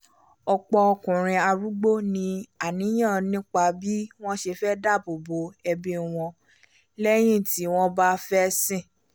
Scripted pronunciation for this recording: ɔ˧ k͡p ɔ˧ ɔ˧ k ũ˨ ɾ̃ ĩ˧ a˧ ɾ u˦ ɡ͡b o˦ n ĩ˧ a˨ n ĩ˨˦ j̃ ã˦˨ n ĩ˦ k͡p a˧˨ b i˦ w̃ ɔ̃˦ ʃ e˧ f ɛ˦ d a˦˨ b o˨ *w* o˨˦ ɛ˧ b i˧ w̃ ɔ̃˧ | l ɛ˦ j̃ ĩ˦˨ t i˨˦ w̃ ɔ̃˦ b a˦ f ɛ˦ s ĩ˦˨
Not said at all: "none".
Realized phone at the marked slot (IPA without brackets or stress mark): b